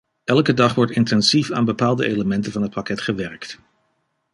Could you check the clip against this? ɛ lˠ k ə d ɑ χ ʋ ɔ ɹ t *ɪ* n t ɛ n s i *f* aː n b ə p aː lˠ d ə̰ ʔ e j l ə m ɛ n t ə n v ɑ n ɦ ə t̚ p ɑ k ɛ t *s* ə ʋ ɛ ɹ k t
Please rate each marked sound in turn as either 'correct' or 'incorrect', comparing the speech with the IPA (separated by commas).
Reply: correct, correct, incorrect